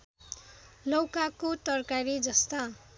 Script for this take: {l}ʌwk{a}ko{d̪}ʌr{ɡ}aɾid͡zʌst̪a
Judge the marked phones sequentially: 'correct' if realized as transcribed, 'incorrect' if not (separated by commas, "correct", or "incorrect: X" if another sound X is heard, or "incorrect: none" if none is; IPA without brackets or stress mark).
correct, correct, incorrect: t̪, incorrect: k